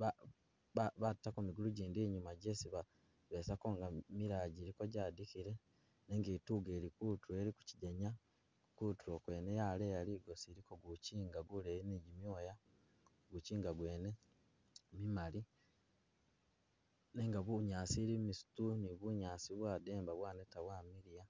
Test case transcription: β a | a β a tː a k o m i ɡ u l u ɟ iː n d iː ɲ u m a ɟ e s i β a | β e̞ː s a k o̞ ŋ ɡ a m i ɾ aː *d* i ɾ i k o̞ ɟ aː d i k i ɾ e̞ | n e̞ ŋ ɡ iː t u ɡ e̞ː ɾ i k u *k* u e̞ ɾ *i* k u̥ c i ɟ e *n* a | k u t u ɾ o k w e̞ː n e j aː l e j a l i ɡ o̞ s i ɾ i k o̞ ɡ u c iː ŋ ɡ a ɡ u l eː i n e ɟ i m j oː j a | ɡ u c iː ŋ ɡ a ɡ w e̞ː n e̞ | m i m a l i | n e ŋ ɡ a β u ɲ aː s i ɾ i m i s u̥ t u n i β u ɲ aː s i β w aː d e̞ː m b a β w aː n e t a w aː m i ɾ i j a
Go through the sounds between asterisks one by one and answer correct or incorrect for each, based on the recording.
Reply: incorrect: ɟ, incorrect: t, correct, incorrect: ɲ

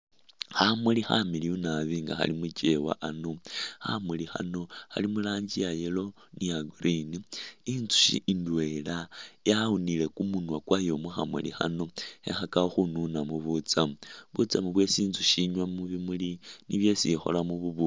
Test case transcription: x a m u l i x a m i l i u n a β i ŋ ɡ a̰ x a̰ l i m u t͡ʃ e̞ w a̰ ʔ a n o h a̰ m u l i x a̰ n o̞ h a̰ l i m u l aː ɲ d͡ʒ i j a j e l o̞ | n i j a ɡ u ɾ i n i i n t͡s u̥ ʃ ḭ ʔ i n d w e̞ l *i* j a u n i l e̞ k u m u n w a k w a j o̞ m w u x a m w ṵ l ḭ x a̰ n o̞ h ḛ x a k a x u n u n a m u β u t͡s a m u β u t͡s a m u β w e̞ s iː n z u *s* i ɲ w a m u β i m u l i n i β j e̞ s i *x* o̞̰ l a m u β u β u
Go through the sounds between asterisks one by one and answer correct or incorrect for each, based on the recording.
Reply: incorrect: a, incorrect: ʃ, correct

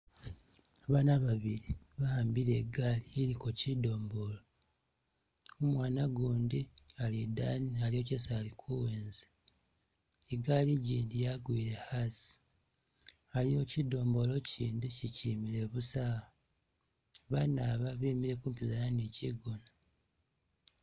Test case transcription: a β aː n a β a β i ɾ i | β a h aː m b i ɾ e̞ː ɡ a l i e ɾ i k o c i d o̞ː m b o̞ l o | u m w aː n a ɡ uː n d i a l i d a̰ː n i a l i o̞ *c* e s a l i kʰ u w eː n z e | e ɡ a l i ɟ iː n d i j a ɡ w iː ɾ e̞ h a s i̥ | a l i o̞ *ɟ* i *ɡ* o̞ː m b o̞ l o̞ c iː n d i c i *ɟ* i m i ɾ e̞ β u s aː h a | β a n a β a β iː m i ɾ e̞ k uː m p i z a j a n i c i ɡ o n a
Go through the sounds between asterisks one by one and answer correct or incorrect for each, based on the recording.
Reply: correct, incorrect: c, incorrect: d, incorrect: c

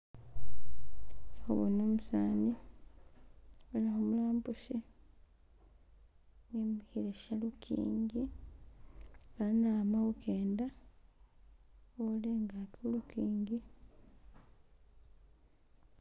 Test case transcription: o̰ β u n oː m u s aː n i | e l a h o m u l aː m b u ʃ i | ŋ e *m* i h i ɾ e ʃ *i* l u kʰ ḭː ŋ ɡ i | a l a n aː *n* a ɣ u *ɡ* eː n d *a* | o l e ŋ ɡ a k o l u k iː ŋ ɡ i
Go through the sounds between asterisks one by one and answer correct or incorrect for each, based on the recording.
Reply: correct, incorrect: a, incorrect: m, incorrect: k, correct

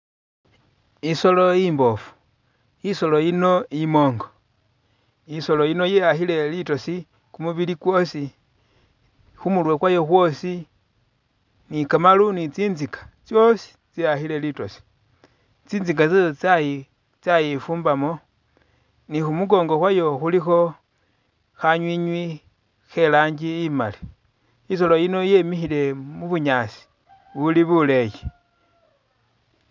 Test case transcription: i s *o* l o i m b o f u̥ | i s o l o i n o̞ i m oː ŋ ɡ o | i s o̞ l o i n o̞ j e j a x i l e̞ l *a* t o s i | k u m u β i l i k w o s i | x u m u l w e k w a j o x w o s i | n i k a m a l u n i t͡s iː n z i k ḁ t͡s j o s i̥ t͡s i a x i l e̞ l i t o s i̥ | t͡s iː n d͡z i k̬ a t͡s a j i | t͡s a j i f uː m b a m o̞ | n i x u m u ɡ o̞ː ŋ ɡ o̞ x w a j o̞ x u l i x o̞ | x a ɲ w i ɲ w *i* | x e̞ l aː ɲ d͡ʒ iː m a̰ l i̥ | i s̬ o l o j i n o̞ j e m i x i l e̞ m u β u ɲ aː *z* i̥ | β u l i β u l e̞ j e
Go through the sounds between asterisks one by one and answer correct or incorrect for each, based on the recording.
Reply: correct, incorrect: i, correct, incorrect: s

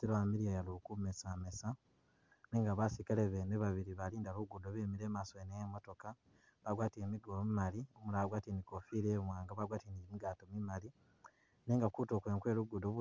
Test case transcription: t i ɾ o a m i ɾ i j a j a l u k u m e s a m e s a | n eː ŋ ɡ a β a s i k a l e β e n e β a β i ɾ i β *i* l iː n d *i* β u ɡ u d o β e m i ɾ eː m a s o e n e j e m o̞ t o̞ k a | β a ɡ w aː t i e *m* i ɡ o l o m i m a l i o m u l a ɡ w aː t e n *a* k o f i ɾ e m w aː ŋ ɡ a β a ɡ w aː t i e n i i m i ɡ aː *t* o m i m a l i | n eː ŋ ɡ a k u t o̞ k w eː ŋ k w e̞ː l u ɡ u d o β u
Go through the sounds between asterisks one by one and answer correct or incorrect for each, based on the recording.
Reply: incorrect: a, incorrect: a, correct, incorrect: i, correct

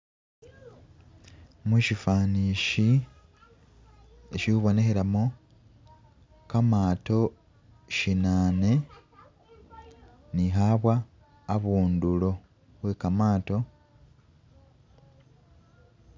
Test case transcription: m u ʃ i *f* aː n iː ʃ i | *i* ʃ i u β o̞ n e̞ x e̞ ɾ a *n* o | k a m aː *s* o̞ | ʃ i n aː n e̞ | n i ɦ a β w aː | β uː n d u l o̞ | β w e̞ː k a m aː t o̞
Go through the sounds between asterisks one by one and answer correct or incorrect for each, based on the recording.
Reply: correct, incorrect: e, incorrect: m, incorrect: t

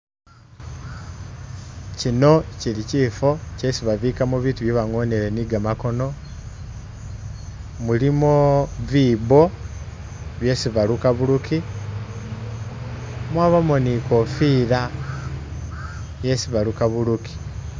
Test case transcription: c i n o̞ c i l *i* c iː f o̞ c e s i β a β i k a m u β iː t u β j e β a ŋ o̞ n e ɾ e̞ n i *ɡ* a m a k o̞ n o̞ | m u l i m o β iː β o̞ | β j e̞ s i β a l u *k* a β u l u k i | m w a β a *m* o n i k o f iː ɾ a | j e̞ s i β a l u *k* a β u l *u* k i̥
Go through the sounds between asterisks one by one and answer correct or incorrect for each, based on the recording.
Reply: correct, correct, correct, correct, correct, correct

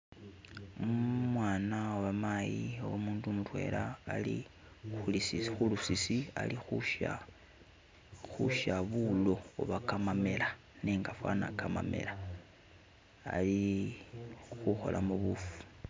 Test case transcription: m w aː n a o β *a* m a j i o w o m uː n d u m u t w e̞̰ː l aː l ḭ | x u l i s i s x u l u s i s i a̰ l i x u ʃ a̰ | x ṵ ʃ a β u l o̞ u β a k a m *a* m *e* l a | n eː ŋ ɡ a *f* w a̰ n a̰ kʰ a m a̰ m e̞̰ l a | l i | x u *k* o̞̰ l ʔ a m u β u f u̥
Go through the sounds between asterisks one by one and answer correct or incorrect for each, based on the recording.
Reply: correct, correct, correct, correct, incorrect: x

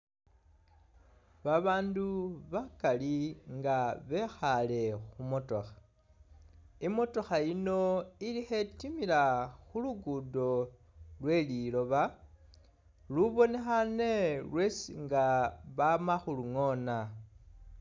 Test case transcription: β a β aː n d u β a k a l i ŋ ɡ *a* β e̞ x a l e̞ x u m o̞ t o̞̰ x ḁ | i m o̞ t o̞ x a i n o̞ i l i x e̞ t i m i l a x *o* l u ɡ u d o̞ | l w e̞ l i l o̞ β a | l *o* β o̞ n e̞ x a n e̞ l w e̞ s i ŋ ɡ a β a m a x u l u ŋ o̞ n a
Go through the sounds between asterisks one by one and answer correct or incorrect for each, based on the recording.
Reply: correct, incorrect: u, incorrect: u

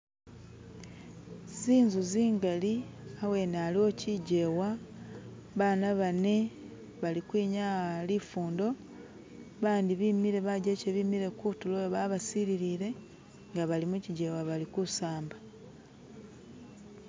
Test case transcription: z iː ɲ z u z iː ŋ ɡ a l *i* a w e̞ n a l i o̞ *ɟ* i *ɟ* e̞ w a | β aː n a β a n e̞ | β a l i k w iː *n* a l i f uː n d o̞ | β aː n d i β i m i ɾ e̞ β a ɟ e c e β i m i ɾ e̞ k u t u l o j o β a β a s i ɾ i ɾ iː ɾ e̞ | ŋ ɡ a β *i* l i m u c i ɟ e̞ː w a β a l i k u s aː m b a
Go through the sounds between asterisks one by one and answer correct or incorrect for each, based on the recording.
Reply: correct, incorrect: c, correct, incorrect: ɲ, incorrect: a

